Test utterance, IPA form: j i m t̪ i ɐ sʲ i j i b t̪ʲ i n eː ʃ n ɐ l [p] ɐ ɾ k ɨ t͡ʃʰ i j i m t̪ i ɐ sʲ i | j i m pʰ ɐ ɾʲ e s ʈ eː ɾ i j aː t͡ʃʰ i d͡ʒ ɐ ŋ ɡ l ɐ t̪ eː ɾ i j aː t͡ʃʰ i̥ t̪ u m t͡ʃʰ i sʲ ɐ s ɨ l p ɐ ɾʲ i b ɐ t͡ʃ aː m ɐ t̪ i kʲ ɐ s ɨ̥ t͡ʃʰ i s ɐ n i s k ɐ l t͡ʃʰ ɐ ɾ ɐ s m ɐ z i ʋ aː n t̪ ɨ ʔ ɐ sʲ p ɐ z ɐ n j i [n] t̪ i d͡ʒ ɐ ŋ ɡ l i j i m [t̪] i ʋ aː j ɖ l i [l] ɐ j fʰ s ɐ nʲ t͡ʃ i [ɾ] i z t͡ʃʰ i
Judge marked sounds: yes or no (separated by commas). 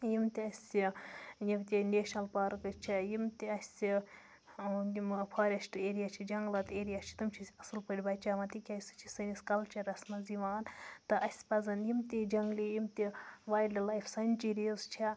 yes, no, yes, yes, yes